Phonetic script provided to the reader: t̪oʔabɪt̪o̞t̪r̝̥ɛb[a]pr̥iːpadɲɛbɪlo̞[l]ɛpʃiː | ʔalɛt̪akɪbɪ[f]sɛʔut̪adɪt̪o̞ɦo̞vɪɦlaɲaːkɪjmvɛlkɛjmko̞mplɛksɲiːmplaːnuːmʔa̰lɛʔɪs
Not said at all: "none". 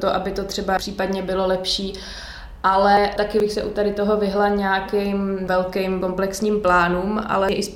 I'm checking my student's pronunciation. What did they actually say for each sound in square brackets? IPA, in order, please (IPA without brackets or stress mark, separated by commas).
a, l, x